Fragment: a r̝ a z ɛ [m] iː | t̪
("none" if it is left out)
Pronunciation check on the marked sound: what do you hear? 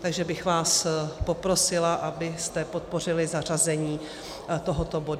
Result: ɲ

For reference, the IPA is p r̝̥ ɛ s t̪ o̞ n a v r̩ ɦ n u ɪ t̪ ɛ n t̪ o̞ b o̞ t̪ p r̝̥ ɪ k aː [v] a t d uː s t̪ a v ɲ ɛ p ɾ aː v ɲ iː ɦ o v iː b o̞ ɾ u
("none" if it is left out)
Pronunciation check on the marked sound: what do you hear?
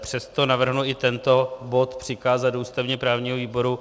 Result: z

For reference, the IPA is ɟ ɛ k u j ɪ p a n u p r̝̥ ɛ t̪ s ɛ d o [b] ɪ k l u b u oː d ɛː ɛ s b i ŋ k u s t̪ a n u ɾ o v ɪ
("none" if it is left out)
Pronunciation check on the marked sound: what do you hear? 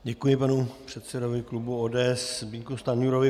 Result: v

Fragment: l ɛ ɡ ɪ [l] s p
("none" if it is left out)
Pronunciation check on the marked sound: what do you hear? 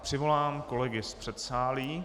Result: none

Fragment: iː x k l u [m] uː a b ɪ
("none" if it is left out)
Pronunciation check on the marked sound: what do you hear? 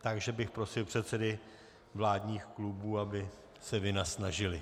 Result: b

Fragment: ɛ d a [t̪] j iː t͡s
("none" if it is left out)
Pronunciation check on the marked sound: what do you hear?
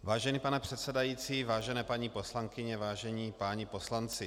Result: none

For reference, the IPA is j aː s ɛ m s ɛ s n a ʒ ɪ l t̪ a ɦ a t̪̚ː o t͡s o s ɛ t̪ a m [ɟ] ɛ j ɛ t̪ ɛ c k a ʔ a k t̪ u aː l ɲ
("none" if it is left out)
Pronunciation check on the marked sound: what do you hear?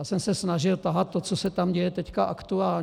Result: ɟ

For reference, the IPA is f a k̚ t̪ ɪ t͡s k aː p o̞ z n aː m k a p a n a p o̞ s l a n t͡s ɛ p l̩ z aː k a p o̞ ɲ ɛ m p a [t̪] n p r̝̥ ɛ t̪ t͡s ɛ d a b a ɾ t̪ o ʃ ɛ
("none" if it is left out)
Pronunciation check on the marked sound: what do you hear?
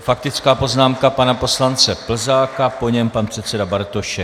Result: none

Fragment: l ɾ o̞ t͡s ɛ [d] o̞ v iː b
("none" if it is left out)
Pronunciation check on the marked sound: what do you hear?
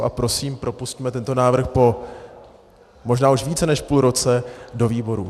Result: d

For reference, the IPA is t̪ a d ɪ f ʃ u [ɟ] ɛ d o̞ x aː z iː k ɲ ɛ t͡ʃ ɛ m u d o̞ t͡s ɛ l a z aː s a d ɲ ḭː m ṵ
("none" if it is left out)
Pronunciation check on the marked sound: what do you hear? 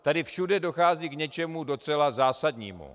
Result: d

